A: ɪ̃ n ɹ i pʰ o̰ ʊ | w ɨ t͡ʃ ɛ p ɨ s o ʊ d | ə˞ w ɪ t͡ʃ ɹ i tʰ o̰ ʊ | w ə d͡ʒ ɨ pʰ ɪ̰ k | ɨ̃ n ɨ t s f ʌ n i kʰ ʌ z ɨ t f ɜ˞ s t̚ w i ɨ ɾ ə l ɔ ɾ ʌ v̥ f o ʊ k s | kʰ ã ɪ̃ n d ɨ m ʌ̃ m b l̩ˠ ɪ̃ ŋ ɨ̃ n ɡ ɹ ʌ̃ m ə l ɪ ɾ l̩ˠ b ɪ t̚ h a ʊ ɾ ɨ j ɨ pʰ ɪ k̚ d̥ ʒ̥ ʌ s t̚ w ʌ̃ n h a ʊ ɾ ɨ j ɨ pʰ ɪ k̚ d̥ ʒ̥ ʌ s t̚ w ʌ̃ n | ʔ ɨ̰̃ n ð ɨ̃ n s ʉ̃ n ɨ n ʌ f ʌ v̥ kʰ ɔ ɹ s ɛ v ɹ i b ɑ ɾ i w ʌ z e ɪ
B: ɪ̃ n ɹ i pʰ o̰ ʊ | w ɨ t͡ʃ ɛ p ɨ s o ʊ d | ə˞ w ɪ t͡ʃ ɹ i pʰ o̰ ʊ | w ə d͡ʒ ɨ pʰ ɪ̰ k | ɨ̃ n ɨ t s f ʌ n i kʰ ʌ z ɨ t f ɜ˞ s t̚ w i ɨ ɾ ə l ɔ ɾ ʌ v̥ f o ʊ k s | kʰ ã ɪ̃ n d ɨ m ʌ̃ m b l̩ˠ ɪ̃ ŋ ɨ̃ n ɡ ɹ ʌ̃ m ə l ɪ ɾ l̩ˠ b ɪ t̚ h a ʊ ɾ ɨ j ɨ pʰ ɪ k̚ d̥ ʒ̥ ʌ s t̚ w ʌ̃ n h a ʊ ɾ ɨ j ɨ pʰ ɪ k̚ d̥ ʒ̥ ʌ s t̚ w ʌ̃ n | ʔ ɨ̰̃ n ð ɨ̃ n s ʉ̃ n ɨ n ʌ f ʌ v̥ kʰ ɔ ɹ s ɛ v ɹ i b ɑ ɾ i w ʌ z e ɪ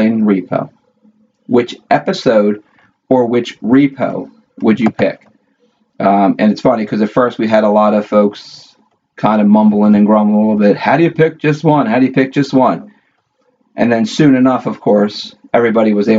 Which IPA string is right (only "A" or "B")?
B